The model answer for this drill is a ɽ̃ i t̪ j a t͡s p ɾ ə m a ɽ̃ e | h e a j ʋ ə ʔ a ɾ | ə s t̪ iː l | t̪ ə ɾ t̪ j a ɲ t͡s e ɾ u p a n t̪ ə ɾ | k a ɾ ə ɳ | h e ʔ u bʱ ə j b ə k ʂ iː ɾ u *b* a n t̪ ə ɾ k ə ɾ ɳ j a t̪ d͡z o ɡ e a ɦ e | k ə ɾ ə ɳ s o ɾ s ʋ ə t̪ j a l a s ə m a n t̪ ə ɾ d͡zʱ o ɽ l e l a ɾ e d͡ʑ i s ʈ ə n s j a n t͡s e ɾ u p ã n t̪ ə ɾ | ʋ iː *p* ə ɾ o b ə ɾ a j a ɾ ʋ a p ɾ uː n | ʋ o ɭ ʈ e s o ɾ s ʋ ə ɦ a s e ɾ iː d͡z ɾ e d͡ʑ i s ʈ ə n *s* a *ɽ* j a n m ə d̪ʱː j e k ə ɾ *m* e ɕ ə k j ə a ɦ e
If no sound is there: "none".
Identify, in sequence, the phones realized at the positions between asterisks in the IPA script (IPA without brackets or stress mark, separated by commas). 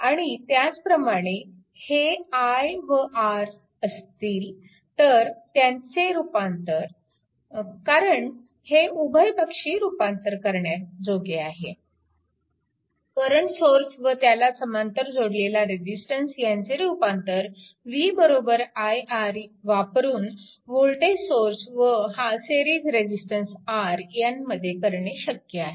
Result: p, b, s, ɾ, ɳ